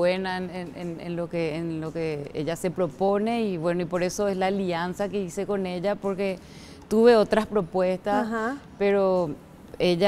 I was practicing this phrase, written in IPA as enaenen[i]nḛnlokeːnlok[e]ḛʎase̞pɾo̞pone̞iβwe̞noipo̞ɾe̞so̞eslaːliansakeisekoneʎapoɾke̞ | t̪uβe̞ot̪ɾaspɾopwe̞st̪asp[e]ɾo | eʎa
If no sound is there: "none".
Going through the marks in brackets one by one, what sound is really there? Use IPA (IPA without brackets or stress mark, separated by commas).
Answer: e, e, e